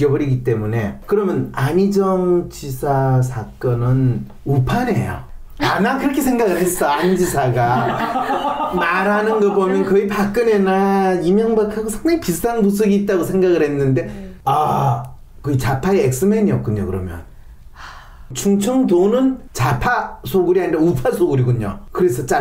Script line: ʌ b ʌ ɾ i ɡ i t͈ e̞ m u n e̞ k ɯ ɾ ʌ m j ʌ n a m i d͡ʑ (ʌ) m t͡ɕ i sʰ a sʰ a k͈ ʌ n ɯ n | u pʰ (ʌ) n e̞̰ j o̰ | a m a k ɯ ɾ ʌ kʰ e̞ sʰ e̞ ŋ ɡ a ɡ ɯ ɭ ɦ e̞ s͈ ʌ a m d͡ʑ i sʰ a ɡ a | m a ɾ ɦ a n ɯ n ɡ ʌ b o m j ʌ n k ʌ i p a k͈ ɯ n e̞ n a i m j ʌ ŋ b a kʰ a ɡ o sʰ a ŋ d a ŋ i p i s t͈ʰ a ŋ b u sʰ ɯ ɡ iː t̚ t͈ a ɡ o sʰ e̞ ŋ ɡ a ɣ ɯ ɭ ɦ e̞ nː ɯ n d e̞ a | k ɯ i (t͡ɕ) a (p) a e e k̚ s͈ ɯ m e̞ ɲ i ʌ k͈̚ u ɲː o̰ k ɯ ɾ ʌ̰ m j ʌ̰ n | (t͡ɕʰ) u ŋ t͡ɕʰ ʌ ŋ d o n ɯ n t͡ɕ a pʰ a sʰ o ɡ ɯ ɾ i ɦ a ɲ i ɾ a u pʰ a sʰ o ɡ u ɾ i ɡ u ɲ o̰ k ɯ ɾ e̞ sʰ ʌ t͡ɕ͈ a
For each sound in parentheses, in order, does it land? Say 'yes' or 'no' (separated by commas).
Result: yes, no, yes, no, yes